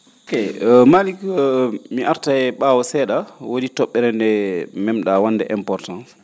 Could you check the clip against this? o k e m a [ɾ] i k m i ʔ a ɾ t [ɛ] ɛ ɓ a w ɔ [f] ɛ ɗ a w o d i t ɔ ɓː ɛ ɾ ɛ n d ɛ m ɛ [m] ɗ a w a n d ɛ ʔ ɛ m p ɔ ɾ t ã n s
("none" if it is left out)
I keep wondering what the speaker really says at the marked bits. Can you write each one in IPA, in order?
l, a, s, m

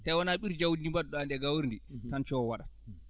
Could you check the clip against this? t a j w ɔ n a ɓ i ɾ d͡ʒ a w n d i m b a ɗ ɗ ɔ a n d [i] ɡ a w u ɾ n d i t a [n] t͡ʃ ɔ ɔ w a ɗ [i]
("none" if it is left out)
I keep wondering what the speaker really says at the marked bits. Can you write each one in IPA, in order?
ɛ, n, a

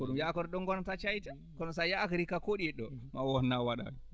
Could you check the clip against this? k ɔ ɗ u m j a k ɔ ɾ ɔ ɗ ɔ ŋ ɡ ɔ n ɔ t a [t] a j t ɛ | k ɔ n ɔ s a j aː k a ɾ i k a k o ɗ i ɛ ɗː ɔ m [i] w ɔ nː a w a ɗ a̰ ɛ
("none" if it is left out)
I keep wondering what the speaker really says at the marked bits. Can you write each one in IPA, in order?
t͡ʃ, a

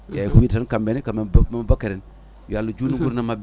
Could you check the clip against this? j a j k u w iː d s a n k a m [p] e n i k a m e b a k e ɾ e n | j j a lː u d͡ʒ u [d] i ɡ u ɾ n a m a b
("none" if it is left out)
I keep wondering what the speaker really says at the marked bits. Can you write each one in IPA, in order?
b, n

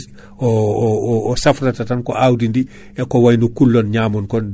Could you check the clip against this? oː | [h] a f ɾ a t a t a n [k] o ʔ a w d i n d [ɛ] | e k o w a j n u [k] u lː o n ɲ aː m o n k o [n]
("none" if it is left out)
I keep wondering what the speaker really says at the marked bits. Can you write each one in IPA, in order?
s, k, i, k, n

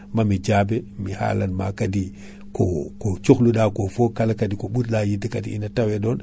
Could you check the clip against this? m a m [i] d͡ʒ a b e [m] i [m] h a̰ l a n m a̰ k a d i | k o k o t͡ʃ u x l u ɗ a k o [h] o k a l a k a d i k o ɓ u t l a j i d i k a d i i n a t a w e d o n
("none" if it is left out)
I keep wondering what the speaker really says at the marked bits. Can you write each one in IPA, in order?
i, m, none, f

